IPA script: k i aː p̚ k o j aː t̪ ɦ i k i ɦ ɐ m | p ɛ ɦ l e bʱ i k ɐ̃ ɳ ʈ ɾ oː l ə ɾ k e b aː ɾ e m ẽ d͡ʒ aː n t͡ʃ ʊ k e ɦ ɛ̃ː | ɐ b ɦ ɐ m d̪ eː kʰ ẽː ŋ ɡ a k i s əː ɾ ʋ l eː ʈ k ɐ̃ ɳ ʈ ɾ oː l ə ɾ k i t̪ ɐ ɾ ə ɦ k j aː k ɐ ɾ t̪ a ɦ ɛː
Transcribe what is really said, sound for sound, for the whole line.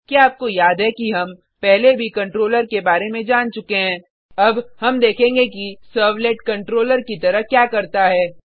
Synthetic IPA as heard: k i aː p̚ k o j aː d̪ ɦ ɛ k i ɦ ɐ m | p ɛ ɦ l e bʱ i k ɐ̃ ɳ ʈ ɾ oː l ə ɾ k e b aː ɾ e m ẽ d͡ʒ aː n t͡ʃ ʊ k e ɦ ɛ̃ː | ɐ b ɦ ɐ m d̪ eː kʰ ẽː ŋ ɡ e k i s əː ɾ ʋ l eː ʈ k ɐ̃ ɳ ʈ ɾ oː l ə ɾ k i t̪ ɐ ɾ ə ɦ k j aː k ɐ ɾ t̪ a ɦ ɛː